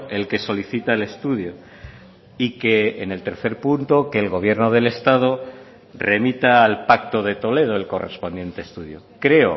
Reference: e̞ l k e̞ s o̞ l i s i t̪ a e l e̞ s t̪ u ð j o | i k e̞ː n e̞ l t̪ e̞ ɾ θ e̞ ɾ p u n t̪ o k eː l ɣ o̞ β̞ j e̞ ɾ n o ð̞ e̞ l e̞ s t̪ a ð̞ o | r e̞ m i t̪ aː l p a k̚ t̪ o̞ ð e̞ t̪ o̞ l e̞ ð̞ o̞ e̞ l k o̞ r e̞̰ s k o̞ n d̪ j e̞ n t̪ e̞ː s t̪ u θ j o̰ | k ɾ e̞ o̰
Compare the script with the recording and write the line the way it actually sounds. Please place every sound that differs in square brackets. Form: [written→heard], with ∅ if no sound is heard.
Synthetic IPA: e̞ l k e̞ s o̞ l i [s→θ] i t̪ a e l e̞ s t̪ u ð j o | i k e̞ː n e̞ l t̪ e̞ ɾ θ e̞ ɾ p u n t̪ o k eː l ɣ o̞ β̞ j e̞ ɾ n o ð̞ e̞ l e̞ s t̪ a ð̞ o | r e̞ m i t̪ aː l p a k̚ t̪ o̞ ð e̞ t̪ o̞ l e̞ ð̞ o̞ e̞ l k o̞ r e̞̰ s [k→p] o̞ n d̪ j e̞ n t̪ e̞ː s t̪ u [θ→ð] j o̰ | k ɾ e̞ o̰